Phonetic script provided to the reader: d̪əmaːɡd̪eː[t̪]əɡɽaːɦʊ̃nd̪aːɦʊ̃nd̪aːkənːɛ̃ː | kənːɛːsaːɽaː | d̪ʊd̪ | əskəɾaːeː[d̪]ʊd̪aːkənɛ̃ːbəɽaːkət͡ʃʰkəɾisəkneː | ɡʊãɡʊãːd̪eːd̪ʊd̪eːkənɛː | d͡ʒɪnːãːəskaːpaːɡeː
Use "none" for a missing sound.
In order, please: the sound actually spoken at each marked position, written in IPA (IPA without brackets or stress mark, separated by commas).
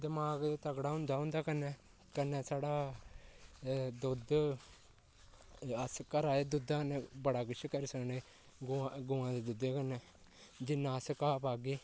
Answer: t̪, d̪